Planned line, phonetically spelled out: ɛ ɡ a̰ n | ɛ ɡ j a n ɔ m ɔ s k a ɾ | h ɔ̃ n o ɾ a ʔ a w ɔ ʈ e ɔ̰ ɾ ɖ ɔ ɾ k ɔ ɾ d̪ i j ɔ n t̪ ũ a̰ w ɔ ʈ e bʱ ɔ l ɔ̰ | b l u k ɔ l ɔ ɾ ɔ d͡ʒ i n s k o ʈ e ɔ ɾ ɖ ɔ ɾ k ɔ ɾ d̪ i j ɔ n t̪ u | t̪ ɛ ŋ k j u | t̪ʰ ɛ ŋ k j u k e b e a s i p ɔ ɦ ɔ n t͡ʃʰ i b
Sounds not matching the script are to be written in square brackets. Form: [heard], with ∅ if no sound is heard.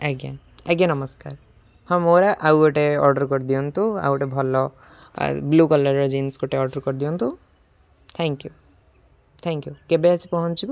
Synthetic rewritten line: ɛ ɡ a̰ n | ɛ ɡ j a n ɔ m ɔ s k a ɾ | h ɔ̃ [m] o ɾ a ʔ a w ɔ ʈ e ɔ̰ ɾ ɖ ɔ ɾ k ɔ ɾ d̪ i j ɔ n t̪ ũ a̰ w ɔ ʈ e bʱ ɔ l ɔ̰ | b l u k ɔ l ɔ ɾ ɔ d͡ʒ i n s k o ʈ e ɔ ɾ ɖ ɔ ɾ k ɔ ɾ d̪ i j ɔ n t̪ u | [t̪ʰ] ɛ ŋ k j u | t̪ʰ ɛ ŋ k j u k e b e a s i p ɔ ɦ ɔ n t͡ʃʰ i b